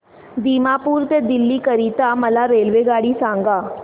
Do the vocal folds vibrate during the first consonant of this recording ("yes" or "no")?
yes